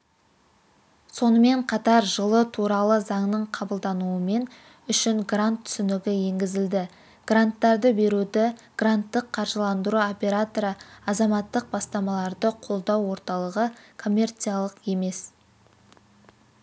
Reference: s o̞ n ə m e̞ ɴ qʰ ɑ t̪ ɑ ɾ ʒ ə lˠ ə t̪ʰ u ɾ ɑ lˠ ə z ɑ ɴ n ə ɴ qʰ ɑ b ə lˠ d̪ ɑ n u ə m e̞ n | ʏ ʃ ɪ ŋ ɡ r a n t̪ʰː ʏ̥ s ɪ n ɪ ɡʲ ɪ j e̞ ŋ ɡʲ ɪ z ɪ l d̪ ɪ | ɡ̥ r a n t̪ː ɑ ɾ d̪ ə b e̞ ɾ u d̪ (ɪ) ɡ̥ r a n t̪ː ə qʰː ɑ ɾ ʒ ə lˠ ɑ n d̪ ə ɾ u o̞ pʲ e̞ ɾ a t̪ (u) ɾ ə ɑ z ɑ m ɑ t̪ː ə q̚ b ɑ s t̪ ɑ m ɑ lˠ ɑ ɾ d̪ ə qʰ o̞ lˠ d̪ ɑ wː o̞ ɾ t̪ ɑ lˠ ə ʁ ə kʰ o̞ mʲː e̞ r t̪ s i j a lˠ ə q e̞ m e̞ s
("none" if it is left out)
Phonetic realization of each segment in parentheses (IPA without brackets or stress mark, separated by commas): ɪ, o